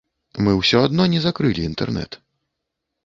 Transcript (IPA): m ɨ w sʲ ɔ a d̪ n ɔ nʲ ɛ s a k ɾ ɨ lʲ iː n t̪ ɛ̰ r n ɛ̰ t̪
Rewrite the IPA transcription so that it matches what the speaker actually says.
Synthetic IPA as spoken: m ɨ w sʲ ɔ a d̪ n ɔ nʲ ɛ z a k ɾ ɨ lʲ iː n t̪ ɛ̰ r n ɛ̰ t̪